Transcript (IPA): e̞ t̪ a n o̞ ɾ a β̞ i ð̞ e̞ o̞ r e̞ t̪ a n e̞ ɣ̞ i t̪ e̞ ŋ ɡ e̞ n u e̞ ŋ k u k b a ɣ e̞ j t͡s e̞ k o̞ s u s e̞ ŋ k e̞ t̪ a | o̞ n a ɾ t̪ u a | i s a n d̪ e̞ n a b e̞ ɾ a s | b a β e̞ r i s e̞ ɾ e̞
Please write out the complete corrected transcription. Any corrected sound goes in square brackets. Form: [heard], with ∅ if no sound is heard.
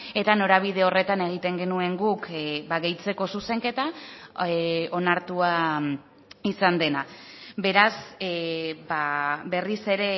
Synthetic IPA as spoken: e̞ t̪ a n o̞ ɾ a β̞ i ð̞ e̞ o̞ r e̞ t̪ a n e̞ ɣ̞ i t̪ e̞ ŋ ɡ e̞ n u e̞ ŋ [ɡ] u k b a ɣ e̞ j t͡s e̞ k o̞ s u s e̞ ŋ k e̞ t̪ a | o̞ n a ɾ t̪ u a | i s a n d̪ e̞ n a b e̞ ɾ a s | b a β e̞ r i s e̞ ɾ e̞